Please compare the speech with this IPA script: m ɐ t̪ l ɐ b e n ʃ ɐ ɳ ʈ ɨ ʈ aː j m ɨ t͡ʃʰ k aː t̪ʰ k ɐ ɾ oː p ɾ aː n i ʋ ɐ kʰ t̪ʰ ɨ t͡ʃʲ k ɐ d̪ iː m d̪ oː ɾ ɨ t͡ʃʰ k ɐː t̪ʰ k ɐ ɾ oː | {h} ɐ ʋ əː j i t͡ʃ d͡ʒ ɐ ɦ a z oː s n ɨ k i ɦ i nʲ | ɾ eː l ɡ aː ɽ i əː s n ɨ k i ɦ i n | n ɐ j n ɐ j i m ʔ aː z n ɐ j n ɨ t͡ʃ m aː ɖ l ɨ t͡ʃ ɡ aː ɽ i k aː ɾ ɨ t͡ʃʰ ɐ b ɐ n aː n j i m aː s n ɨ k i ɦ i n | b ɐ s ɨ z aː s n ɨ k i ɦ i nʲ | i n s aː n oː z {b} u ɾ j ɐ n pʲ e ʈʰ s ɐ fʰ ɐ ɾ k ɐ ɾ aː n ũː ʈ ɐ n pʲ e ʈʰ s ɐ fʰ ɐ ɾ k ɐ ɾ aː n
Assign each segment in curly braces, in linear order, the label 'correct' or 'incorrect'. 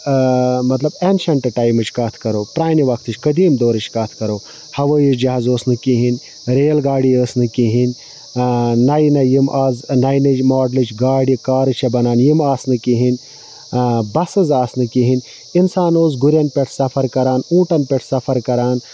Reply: correct, incorrect: ɡ

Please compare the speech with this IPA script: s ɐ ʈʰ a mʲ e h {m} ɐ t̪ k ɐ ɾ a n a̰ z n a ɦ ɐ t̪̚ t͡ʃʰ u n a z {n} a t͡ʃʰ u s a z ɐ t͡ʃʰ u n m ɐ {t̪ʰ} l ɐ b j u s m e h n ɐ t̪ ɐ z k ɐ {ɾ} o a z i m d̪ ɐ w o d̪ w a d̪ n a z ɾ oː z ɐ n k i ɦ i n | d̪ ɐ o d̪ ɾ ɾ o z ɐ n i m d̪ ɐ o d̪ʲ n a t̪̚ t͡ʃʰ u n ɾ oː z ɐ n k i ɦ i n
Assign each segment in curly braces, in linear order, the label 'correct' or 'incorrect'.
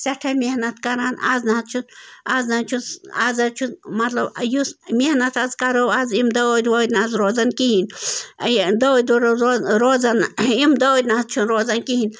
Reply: incorrect: n, correct, incorrect: t̪, correct

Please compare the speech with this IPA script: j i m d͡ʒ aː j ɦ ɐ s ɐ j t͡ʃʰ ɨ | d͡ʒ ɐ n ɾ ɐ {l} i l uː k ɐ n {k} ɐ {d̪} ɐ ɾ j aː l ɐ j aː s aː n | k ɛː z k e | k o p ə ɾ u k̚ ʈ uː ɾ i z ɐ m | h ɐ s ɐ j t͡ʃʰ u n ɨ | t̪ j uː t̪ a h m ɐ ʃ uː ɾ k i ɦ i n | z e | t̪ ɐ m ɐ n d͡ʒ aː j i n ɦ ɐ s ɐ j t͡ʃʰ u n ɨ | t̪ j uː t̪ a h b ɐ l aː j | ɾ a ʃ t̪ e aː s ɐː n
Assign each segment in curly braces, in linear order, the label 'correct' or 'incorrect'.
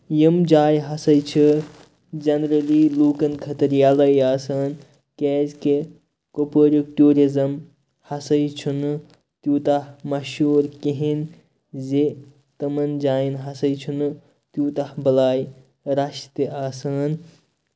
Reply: correct, incorrect: kʰ, incorrect: t̪

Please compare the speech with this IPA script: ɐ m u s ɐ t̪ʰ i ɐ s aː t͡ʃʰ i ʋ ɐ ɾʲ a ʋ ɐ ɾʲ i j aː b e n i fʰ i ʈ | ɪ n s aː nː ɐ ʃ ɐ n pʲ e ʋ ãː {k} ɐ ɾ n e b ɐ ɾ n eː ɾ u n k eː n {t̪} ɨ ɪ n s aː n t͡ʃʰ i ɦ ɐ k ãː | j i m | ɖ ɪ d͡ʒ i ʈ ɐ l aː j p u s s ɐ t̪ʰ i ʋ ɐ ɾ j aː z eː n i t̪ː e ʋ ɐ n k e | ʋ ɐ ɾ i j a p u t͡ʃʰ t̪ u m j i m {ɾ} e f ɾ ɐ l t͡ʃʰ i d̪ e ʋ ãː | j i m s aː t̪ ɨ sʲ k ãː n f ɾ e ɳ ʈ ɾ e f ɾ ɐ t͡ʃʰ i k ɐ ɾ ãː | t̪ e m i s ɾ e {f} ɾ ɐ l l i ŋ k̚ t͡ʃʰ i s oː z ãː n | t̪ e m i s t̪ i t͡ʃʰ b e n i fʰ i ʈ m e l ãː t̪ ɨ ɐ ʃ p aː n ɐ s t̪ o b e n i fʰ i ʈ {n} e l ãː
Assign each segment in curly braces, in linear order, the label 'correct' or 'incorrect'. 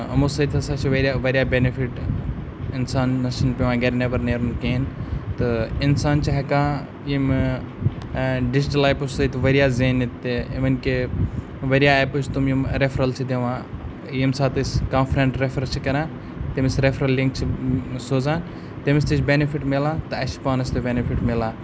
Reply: incorrect: ɡ, correct, correct, correct, incorrect: m

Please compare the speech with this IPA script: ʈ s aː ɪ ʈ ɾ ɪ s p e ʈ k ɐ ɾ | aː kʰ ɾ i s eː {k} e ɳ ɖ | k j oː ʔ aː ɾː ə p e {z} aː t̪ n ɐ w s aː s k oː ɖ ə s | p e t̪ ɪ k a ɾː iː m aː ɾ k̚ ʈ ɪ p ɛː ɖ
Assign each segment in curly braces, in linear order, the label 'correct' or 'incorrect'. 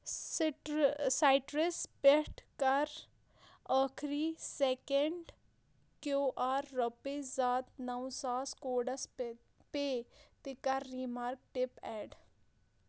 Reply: correct, correct

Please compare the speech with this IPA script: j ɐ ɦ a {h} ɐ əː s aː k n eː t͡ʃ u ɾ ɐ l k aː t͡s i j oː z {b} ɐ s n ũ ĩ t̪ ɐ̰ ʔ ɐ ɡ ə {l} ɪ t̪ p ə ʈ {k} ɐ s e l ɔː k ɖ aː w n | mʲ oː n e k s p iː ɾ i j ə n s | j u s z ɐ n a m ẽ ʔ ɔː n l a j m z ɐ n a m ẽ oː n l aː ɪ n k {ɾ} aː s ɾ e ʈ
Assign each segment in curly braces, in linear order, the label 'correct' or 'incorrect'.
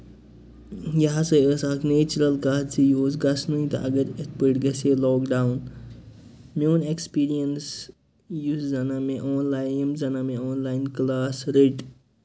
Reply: incorrect: s, incorrect: ɡ, incorrect: ɾ, incorrect: ɡ, incorrect: l

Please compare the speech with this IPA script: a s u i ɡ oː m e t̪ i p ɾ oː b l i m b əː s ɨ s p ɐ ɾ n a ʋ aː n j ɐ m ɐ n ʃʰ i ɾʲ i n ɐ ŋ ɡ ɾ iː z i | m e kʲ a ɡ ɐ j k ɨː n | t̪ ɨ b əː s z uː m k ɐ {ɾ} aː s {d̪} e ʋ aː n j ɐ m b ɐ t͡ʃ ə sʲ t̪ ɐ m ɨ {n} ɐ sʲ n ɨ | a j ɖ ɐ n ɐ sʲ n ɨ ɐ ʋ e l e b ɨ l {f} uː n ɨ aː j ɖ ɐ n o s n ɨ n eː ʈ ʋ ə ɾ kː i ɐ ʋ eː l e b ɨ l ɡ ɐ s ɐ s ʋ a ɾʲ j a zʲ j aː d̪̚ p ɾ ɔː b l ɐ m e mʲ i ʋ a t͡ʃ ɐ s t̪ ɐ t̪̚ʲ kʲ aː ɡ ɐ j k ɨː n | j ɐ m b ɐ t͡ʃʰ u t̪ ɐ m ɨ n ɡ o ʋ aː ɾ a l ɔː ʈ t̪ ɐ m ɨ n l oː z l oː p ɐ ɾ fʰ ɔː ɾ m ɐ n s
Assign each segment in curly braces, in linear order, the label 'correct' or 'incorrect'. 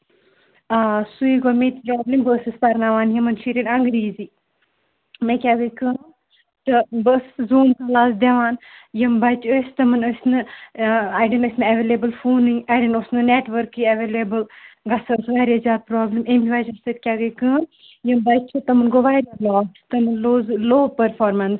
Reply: incorrect: l, correct, correct, correct

